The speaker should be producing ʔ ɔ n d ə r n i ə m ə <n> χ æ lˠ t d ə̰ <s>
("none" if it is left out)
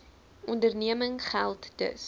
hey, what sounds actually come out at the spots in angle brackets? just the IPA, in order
ŋ, s

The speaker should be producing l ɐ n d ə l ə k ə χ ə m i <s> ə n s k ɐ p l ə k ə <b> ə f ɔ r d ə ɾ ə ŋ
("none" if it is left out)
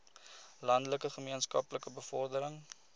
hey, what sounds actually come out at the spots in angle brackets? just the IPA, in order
none, b

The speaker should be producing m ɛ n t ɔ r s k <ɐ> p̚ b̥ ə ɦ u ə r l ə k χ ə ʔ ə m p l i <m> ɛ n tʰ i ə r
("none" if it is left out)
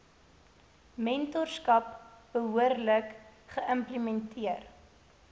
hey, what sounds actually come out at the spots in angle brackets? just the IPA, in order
ɐ, m

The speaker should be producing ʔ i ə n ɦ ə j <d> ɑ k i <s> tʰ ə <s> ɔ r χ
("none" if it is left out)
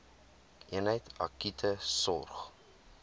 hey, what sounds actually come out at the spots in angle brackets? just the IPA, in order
t, none, s

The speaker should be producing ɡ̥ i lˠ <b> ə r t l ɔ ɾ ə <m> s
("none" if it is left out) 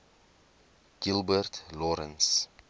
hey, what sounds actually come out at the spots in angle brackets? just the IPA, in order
b, n

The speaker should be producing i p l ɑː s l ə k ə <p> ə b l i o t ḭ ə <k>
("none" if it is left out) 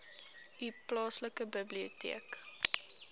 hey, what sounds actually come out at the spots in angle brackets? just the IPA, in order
b, k

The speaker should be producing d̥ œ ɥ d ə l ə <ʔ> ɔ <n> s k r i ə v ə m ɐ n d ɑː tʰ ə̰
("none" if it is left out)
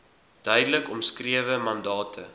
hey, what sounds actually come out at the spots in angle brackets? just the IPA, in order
k, m

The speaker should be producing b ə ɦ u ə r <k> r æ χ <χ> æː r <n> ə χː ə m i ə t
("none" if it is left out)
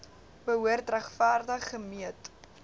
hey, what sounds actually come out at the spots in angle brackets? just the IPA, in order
t, f, d

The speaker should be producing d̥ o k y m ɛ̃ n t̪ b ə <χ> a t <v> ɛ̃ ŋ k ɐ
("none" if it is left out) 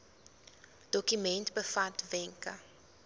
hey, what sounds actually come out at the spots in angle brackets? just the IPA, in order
f, v

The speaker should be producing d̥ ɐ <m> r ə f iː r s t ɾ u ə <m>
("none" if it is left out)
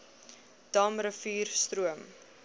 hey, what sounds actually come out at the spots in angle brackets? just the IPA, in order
m, m

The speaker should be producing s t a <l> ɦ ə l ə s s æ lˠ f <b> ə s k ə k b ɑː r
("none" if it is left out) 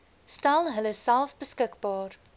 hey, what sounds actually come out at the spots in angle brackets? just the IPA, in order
l, b

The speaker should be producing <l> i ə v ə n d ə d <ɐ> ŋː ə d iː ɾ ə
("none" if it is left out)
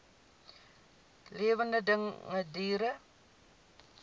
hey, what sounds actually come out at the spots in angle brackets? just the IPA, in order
l, ə

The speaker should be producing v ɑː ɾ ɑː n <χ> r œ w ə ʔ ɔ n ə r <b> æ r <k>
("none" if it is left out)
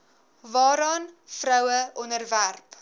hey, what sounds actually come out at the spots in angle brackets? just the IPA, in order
f, v, p

